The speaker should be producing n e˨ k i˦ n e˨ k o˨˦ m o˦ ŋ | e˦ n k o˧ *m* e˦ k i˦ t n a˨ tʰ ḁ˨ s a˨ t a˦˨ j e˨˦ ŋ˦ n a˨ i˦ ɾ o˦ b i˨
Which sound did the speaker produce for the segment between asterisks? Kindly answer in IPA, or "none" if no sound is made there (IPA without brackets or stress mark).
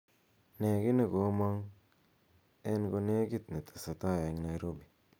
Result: n